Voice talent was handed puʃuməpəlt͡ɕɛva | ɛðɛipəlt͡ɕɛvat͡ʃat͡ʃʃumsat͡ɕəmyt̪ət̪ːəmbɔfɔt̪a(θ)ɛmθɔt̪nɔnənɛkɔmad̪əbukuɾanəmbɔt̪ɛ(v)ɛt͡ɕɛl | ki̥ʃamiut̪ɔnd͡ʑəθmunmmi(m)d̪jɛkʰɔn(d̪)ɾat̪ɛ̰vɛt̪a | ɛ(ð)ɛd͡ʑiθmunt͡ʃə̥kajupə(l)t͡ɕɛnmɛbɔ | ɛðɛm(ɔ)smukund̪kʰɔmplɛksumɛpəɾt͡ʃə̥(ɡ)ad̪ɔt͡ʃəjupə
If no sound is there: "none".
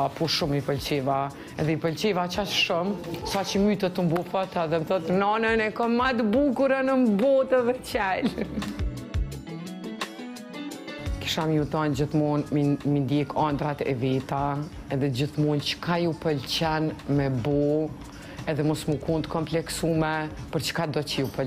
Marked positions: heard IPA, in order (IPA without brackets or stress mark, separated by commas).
ð, ð, n, d̪, ð, l, ɔ, k